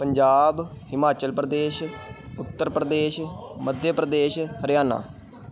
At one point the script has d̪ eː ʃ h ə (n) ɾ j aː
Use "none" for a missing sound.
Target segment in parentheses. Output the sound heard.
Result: none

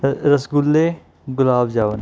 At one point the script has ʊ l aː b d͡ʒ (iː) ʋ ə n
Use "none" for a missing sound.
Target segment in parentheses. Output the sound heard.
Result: aː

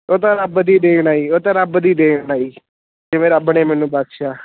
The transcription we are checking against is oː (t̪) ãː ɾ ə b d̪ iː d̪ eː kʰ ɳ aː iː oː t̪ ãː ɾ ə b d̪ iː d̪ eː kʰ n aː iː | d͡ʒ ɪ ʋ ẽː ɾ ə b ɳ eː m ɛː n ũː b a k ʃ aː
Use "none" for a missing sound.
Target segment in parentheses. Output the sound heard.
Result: t̪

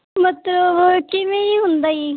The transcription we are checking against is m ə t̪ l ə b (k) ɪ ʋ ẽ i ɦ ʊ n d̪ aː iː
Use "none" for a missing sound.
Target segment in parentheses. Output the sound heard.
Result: k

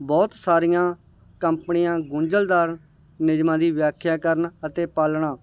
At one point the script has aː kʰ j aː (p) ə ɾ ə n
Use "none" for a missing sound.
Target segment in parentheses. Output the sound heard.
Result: k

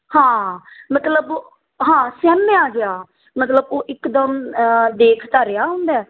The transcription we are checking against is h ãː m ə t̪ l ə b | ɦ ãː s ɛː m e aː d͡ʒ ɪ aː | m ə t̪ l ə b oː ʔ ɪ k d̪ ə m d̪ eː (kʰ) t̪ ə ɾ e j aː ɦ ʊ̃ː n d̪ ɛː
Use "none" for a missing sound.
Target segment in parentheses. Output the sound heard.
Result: kʰ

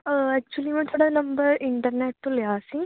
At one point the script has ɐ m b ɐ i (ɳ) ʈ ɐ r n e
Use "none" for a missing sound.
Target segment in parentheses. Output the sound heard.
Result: ɳ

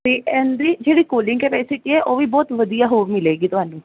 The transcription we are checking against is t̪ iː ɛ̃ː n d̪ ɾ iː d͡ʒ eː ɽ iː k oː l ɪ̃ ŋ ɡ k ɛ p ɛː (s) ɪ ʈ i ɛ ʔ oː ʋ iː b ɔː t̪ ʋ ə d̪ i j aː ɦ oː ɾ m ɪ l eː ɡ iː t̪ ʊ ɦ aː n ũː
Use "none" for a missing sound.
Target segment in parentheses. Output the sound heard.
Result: s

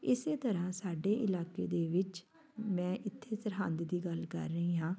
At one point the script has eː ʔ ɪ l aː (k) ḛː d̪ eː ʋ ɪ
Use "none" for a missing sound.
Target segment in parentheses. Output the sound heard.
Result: k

